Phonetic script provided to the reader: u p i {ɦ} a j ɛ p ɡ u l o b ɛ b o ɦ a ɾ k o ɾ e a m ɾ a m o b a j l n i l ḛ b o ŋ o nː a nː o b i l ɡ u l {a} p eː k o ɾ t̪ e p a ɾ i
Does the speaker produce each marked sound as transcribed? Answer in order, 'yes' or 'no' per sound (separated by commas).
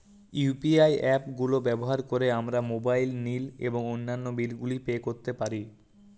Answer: no, no